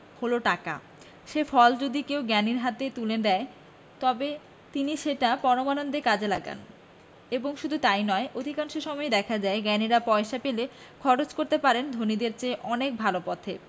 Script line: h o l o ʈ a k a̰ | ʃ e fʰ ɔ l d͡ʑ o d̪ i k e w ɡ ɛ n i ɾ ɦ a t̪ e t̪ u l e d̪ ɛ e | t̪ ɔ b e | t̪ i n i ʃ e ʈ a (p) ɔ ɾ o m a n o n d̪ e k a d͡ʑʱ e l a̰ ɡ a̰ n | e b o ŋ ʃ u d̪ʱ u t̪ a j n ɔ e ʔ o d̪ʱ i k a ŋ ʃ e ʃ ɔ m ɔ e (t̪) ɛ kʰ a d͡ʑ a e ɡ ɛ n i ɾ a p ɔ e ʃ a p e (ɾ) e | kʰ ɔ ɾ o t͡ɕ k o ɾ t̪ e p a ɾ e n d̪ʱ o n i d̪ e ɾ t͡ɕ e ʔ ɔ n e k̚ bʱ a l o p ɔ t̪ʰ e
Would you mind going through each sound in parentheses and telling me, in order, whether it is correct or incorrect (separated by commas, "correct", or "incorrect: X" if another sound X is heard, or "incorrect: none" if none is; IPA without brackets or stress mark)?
correct, incorrect: d̪, incorrect: l